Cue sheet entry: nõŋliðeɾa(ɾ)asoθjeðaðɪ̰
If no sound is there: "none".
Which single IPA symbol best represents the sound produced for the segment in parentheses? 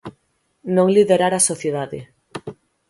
ɾ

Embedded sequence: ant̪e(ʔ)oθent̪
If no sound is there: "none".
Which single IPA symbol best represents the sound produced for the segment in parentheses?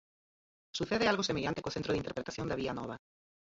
k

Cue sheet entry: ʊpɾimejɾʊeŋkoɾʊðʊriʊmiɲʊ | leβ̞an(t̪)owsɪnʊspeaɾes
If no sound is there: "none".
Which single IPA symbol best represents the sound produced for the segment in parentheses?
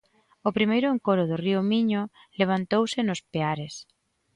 t̪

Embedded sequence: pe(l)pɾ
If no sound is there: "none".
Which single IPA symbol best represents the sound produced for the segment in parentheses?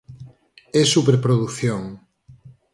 ɾ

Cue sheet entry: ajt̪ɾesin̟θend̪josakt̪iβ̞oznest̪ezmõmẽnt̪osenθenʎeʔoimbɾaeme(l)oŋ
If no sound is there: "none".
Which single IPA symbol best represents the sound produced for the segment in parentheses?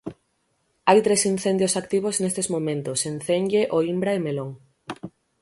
l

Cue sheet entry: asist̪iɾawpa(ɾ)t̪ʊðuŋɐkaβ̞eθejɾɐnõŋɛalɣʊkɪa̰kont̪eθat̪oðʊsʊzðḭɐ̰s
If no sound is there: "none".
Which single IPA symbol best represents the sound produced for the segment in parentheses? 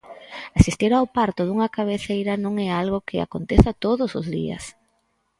ɾ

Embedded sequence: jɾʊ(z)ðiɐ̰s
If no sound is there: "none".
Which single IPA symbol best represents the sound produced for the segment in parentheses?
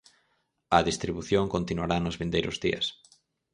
z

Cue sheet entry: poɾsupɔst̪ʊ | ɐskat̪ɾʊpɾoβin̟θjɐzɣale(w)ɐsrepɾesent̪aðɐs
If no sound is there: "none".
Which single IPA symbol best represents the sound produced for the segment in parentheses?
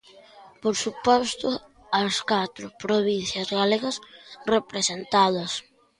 ɣ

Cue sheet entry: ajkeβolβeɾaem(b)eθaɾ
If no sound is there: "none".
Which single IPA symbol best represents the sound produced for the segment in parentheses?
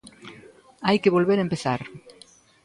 p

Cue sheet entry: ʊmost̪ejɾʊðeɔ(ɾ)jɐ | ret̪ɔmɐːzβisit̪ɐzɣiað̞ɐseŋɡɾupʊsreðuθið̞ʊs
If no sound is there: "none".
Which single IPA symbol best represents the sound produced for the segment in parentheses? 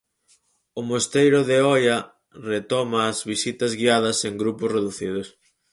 none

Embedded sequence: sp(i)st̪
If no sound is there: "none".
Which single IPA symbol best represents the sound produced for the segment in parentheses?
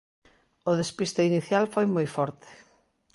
i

